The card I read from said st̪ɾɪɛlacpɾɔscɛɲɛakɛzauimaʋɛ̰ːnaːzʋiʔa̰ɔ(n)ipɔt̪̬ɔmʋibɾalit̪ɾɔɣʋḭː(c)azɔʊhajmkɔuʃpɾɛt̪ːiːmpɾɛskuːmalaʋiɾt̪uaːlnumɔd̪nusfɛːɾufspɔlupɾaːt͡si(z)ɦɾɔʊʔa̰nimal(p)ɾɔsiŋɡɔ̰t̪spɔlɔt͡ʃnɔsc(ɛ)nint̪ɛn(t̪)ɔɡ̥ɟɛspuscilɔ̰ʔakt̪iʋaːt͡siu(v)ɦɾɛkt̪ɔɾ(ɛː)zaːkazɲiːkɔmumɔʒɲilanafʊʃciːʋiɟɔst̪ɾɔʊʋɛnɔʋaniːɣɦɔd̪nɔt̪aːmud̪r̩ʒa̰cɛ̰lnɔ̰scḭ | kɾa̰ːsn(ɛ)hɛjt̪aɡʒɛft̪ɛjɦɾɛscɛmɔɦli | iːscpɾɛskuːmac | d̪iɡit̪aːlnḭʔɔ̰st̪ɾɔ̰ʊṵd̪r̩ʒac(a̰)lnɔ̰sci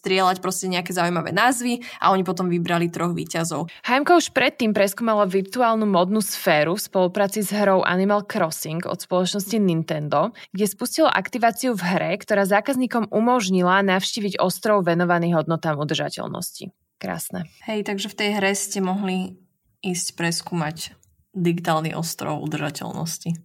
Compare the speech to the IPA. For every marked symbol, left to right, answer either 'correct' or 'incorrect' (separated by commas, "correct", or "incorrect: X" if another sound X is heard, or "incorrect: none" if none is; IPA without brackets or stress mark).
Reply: incorrect: ɲ, correct, correct, incorrect: k, incorrect: i, incorrect: d̪, correct, incorrect: aː, correct, incorrect: ɛ̰